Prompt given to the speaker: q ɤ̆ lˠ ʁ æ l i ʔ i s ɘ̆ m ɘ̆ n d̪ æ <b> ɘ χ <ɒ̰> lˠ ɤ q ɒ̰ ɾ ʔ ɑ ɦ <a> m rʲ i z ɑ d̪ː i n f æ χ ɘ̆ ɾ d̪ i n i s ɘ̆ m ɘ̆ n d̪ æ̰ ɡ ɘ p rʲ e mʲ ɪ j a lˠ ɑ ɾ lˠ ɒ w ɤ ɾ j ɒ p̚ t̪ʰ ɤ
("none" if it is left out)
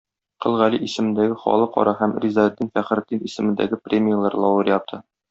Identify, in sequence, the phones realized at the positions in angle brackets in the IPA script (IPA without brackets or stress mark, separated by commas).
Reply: ɡ, ɒ̰, æ